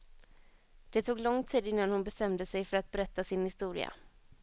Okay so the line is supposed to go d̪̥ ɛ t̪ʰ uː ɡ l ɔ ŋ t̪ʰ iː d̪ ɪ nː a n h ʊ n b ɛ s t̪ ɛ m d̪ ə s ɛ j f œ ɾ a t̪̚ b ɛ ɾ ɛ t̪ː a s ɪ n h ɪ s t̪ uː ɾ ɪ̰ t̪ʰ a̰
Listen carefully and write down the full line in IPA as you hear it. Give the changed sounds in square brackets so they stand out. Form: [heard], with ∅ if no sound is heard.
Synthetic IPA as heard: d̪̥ ɛ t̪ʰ uː ɡ l ɔ ŋ t̪ʰ iː d̪ ɪ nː a n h ʊ n b ɛ s t̪ ɛ m d̪ ə s ɛ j f œ ɾ a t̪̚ b ɛ ɾ ɛ t̪ː a s ɪ n h ɪ s t̪ uː ɾ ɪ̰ [∅] a̰